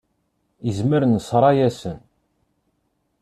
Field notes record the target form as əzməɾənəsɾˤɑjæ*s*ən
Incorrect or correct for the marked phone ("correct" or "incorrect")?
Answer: correct